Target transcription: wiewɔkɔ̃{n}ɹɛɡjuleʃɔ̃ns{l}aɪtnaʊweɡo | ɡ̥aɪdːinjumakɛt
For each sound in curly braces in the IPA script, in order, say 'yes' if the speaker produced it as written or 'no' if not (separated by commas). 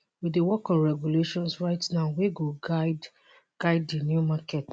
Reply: yes, no